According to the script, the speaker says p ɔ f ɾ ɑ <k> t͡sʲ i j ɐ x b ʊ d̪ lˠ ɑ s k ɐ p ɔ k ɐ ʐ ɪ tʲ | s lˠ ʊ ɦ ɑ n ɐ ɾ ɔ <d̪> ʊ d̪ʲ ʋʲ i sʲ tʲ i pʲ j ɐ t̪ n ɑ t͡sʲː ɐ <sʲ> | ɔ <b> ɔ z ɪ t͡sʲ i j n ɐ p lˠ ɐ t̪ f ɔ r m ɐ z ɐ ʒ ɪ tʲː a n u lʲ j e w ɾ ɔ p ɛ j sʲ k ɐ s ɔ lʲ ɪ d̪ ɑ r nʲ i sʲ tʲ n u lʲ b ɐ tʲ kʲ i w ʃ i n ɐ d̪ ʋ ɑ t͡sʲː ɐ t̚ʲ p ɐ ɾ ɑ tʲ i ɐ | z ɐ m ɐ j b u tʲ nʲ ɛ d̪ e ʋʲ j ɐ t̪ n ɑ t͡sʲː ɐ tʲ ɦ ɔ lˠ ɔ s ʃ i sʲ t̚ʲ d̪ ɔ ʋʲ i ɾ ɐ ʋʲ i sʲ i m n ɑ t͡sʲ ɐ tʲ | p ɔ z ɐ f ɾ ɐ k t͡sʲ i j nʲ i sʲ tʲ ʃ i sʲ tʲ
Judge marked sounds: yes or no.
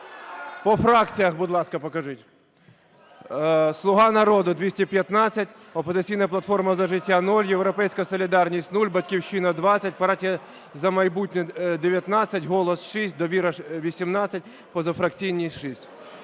yes, yes, no, no

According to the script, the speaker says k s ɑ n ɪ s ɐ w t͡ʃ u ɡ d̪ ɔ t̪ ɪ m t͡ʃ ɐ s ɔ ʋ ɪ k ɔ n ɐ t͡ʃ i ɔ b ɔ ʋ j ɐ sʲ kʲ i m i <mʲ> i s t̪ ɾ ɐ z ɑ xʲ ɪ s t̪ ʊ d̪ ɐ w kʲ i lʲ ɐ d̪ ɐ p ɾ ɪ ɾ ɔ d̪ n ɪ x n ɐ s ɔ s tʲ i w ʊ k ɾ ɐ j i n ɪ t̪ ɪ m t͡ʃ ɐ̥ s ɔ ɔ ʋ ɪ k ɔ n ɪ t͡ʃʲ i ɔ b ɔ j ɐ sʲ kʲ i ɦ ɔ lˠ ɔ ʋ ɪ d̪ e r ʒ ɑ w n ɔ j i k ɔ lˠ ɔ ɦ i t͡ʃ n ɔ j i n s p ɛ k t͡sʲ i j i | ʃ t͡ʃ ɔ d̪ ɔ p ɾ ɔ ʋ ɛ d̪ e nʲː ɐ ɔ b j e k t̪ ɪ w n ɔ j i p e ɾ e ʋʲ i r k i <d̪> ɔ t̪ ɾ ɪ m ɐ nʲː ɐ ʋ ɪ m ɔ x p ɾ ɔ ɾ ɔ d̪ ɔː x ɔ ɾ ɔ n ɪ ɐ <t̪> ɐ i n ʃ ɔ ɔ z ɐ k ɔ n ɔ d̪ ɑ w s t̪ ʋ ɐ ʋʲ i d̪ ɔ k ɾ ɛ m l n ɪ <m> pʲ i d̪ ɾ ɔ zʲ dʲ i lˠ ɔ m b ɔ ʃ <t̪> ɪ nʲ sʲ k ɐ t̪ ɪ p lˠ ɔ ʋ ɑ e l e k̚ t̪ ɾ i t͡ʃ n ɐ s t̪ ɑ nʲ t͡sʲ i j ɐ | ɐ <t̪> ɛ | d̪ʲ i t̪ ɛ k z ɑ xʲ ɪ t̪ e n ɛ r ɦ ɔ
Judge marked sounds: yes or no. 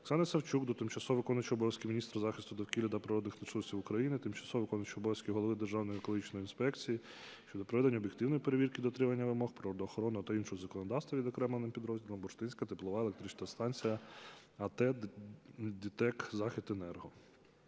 no, yes, yes, yes, yes, yes

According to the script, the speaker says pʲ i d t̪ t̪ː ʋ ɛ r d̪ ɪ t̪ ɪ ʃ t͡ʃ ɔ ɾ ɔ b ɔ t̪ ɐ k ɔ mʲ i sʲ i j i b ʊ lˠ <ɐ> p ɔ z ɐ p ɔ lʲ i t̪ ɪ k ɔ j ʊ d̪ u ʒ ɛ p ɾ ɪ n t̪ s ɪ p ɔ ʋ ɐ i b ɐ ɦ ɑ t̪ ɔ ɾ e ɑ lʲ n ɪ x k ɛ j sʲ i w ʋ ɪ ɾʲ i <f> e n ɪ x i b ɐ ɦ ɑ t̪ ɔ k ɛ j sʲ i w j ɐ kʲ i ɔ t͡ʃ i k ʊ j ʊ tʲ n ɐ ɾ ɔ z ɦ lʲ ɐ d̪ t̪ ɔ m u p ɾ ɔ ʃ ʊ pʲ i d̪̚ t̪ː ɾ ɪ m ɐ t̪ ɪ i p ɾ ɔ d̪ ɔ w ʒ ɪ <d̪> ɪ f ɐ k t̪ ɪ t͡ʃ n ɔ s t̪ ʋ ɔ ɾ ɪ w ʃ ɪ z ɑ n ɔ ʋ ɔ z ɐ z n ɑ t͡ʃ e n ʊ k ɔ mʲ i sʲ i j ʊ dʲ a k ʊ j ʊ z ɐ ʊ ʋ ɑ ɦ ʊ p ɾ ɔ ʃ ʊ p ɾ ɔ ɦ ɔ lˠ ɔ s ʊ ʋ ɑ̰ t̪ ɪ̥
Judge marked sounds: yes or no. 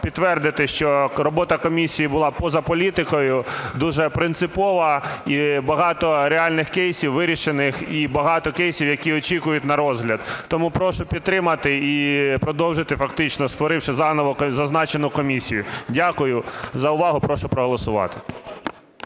no, no, no

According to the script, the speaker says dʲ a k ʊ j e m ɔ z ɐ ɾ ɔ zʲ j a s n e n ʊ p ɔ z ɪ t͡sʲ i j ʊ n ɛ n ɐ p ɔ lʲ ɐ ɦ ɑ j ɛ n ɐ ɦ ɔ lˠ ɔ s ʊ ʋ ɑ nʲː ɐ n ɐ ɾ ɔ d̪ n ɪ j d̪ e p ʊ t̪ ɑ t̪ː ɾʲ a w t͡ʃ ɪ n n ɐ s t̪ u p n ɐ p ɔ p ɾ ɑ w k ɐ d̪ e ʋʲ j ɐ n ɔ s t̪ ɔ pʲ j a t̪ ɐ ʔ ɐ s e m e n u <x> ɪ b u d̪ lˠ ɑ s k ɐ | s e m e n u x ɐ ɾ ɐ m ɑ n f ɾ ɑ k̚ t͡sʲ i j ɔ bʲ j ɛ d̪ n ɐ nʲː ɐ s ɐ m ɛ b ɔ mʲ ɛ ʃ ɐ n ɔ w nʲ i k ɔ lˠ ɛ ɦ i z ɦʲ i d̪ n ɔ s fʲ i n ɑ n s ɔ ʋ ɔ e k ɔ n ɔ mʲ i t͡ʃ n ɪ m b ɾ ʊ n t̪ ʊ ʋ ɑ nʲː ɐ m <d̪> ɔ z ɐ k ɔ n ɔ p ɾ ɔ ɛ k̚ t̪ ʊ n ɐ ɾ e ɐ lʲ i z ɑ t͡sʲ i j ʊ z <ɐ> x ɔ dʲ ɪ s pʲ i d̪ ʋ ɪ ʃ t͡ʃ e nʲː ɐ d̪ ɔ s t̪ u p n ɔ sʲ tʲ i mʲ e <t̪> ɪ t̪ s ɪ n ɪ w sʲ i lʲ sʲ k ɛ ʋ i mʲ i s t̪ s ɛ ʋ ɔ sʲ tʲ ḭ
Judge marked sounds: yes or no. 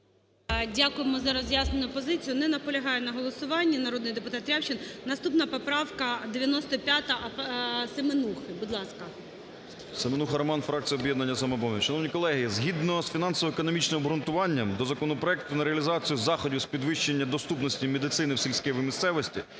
yes, yes, no, no

